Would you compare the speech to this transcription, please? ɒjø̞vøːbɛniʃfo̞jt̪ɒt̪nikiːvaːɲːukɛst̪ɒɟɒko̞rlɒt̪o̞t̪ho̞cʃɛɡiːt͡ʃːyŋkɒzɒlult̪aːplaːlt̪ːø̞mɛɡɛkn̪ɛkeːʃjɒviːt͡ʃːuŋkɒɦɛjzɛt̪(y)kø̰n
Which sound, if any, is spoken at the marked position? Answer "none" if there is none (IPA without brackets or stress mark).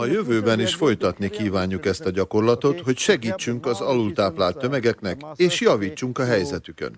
y